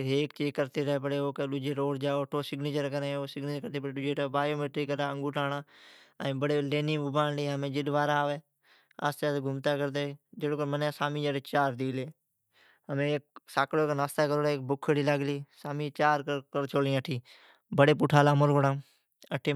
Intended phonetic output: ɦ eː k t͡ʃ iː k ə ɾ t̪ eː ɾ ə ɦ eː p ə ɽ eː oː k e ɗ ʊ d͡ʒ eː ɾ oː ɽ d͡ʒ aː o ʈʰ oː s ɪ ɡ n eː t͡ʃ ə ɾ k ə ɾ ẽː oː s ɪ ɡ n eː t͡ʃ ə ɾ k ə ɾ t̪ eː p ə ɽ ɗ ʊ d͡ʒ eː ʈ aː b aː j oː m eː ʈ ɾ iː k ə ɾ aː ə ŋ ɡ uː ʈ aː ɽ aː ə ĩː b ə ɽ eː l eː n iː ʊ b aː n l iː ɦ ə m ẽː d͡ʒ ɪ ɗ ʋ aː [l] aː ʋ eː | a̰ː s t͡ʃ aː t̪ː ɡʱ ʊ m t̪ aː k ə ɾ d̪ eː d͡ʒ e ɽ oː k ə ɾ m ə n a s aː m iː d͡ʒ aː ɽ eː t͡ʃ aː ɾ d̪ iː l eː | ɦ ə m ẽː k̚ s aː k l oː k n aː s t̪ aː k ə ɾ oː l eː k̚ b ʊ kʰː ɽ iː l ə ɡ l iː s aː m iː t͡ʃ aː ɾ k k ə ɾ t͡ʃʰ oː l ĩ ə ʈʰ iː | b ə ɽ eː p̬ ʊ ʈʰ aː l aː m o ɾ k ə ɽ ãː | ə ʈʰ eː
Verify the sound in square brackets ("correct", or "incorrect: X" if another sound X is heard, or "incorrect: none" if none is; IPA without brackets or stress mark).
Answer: incorrect: ɾ